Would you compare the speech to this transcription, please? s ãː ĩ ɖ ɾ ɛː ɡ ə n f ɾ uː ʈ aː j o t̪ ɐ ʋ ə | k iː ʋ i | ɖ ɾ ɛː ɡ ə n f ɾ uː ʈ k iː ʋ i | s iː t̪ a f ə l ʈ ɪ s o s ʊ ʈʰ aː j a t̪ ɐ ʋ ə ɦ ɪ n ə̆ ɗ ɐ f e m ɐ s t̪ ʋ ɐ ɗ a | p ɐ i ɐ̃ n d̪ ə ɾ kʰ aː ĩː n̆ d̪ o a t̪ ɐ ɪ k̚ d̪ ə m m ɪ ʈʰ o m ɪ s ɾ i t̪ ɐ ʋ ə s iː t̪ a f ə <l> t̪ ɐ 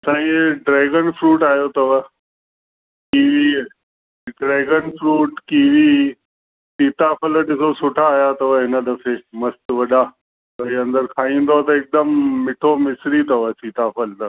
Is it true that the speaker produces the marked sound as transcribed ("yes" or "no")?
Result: yes